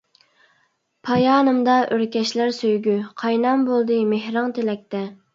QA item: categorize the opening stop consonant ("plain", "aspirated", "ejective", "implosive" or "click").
aspirated